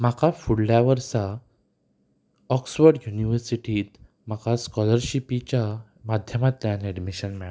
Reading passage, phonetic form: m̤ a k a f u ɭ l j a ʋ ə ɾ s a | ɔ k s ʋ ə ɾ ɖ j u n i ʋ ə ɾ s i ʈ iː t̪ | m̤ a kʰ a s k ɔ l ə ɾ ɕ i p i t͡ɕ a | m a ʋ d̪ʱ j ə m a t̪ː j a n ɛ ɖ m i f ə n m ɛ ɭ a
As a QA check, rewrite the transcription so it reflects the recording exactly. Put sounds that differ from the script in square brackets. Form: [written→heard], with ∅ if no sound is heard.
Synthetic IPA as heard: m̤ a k a f u [ɭ→ɽ] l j a ʋ ə ɾ s a | ɔ k s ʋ ə ɾ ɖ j u n i ʋ ə ɾ s i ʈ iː t̪ | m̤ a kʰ a s k ɔ l ə ɾ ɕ i p i t͡ɕ a | m a [ʋ→∅] d̪ʱ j ə m a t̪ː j a n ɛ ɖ m i [f→ɕ] ə n m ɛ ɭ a